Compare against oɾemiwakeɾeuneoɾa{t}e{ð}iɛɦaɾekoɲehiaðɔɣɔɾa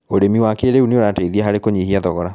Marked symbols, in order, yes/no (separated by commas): yes, yes